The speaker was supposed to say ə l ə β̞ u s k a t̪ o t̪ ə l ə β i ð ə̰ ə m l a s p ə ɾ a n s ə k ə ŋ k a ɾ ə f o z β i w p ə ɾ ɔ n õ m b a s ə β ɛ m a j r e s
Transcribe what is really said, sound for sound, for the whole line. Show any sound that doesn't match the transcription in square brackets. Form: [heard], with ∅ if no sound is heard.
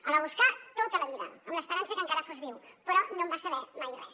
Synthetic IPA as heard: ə l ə β̞ u s k a t̪ o t̪ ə l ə β i ð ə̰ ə m l [ə] s p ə ɾ a n s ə k ə ŋ k a ɾ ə f o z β i w p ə ɾ ɔ n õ m b a s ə β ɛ m a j r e s

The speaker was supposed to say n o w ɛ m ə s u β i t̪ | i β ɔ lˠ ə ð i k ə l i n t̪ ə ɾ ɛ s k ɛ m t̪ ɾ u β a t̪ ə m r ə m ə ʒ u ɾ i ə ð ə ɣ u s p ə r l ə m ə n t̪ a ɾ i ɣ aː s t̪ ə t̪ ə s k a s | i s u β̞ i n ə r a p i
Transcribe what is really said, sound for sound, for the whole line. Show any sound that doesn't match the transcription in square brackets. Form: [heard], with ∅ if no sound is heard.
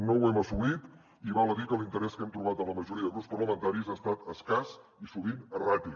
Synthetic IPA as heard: n o w ɛ m ə s u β i t̪ | i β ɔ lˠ ə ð i k ə l i n t̪ ə ɾ ɛ s k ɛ m t̪ ɾ u β a t̪ ə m [l] ə m ə ʒ u ɾ i ə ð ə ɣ u s p ə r l ə m ə n t̪ a ɾ i [z] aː s t̪ [a] t̪ ə s k a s | i s u β̞ i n ə r a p i

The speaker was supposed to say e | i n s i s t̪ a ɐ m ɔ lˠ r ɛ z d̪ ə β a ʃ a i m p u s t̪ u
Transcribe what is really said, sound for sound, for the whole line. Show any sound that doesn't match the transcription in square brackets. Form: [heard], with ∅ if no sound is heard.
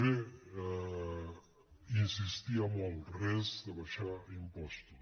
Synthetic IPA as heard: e | i n s i s t̪ [i] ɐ m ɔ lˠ r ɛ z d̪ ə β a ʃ a i m p [ɔ] s t̪ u

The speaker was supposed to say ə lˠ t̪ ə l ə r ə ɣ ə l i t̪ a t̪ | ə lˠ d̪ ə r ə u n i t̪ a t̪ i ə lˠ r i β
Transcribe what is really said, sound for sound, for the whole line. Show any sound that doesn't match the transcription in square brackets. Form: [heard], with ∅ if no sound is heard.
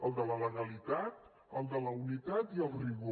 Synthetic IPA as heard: ə lˠ [d̪] ə l ə [l] ə ɣ ə l i t̪ a t̪ | ə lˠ d̪ ə [l] ə u n i t̪ a t̪ i ə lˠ r i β

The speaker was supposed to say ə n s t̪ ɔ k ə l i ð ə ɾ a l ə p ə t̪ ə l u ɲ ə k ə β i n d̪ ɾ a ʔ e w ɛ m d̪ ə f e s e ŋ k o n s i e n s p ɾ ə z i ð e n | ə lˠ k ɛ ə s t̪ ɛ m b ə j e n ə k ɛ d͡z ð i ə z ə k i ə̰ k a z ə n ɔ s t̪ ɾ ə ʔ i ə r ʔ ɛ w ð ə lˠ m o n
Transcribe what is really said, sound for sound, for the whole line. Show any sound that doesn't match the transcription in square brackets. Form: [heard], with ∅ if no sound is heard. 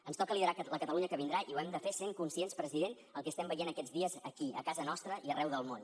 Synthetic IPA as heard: ə n s t̪ ɔ k ə l i ð ə ɾ a l ə [k] ə t̪ ə l u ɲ ə k ə β i n d̪ ɾ a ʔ [i] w ɛ m d̪ ə f e s e ŋ k [u] n s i e n s p ɾ ə z i ð e n | ə lˠ k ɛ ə s t̪ ɛ m b ə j e n ə k ɛ d͡z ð i ə z ə k i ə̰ k a z ə n ɔ s t̪ ɾ ə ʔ i ə r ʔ ɛ w ð ə lˠ m o n

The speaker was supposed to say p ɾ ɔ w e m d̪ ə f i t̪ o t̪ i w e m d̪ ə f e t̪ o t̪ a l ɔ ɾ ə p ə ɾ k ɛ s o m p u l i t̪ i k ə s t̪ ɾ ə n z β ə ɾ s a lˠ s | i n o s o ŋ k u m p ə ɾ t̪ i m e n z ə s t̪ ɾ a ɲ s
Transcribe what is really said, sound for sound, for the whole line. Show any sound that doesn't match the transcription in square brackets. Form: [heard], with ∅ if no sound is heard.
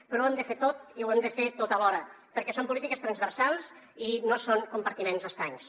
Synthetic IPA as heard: p ɾ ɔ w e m d̪ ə f [e] t̪ o t̪ i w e m d̪ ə f e t̪ o t̪ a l ɔ ɾ ə p ə ɾ k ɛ s o m p u l i t̪ i k ə s t̪ ɾ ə n z β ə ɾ s a lˠ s | i n o s o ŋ k u m p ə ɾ t̪ i m e n z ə s t̪ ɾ a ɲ s

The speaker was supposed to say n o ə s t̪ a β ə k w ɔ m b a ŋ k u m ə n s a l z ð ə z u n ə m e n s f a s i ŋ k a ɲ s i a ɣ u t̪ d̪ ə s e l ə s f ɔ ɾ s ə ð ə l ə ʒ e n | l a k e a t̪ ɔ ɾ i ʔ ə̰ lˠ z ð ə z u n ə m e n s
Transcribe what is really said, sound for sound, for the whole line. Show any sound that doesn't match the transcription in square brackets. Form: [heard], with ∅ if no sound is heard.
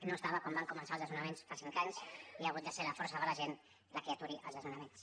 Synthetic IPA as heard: n o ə s t̪ a β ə k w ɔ m b a ŋ k u m ə n s a l z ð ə z u n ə m e n s f a s i ŋ k a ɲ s i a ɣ u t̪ d̪ ə s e l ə [∅] f ɔ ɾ s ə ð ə l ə ʒ e n | l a k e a t̪ [u] ɾ i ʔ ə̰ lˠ z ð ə z u n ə m e n s

